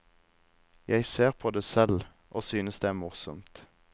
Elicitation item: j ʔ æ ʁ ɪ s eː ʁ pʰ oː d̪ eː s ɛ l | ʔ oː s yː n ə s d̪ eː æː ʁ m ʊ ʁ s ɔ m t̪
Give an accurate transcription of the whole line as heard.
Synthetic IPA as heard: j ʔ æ ɪ s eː ʁ pʰ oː d̪ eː s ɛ l | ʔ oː s yː n ə s d̪ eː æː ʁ m ʊ ʁ s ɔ m t̪